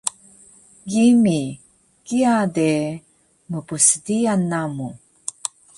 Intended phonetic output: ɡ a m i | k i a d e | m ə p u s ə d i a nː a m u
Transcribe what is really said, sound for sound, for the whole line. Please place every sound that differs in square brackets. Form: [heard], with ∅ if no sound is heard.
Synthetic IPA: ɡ [i] m i | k i a d e | m ə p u s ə d i a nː a m u

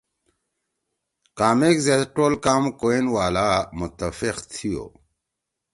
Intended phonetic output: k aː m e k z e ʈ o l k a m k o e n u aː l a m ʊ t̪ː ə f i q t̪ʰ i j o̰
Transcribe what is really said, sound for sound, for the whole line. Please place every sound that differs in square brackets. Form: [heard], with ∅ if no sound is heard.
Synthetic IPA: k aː m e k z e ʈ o l k a m k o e n [w] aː l a m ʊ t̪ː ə f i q t̪ʰ i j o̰

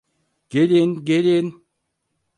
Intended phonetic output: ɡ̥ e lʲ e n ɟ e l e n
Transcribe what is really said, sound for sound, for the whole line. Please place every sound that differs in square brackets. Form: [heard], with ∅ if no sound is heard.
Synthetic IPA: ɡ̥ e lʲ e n [ɡ] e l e n

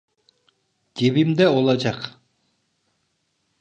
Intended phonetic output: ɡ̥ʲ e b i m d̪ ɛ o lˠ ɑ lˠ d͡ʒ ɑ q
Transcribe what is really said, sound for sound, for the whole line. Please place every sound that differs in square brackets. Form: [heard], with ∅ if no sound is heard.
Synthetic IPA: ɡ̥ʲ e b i m d̪ ɛ o lˠ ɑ [∅] d͡ʒ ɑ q

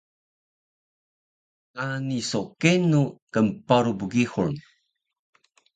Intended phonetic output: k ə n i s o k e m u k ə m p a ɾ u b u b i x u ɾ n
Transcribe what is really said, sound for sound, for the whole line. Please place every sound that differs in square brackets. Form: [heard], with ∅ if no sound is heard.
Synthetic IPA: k [a] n i s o k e [n] u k ə m p a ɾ u b u [ɡ] i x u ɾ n

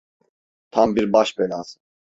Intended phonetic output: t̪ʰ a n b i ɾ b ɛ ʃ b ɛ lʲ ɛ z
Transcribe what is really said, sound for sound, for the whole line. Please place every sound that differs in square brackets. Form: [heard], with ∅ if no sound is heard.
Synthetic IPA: t̪ʰ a [m] b i ɾ b [a] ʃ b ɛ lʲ [a] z

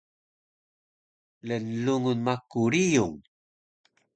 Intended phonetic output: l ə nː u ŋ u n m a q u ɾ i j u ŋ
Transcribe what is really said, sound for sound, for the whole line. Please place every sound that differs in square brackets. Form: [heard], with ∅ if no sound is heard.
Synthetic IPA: l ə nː u ŋ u n m a [k] u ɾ i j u ŋ

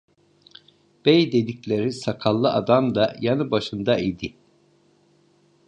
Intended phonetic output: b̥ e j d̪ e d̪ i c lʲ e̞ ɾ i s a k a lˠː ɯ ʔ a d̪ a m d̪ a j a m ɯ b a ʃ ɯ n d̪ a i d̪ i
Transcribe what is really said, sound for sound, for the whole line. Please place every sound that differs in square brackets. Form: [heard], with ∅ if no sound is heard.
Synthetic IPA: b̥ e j d̪ e d̪ i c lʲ e̞ ɾ i s a [kʰ] a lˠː ɯ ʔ a d̪ a m d̪ a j a [n] ɯ b a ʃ ɯ n d̪ a i d̪ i

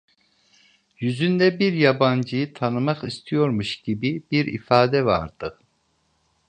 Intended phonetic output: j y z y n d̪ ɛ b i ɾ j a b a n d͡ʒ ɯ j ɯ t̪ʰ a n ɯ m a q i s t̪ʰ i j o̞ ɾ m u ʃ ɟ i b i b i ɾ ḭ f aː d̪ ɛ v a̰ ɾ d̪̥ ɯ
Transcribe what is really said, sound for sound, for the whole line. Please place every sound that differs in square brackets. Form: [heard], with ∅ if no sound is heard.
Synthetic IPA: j y z y n d̪ ɛ b i ɾ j a b a n d͡ʒ ɯ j ɯ t̪ʰ a n ɯ m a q i s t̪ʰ i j o̞ ɾ m u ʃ ɟ i b i b i ɾ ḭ f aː d̪ ɛ v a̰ ɾ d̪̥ ɯ

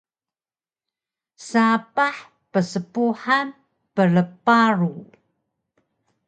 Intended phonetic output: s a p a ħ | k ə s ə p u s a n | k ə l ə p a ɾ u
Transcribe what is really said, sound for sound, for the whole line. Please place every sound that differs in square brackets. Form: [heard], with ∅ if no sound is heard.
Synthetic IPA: s a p a ħ | [p] ə s ə p u [ħ] a n | [p] ə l ə p a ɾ u

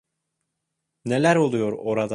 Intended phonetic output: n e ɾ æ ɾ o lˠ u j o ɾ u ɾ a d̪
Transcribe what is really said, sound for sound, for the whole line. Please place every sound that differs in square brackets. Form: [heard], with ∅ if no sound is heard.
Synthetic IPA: n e [l] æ ɾ o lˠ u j o ɾ [o] ɾ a d̪

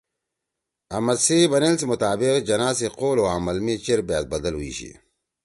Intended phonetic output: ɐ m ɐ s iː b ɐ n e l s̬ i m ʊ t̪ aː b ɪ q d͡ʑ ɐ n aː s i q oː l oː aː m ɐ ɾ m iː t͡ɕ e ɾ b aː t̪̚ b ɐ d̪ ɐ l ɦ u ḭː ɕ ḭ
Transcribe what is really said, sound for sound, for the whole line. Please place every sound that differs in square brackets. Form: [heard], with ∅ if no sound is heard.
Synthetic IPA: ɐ m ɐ s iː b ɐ n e l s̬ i m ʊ t̪ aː b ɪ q d͡ʑ ɐ n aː s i q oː l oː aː m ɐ [l] m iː t͡ɕ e ɾ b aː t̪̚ b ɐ d̪ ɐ l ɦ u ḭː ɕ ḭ

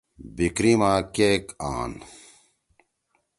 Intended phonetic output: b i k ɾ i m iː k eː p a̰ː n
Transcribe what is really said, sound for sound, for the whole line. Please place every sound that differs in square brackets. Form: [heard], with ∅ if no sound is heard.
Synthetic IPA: b i k ɾ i m [aː] k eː [k] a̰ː n

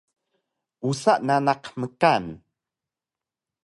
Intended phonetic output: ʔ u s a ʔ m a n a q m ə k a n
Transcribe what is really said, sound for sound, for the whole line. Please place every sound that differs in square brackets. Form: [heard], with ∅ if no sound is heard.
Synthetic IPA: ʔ u s a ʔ [n] a n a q m ə k a n

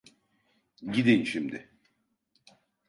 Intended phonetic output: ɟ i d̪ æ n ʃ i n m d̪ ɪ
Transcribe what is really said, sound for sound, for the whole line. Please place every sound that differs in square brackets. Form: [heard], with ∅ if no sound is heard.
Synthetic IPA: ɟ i d̪ [i] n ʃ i [∅] m d̪ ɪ

